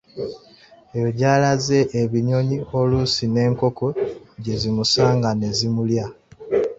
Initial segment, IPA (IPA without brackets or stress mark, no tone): e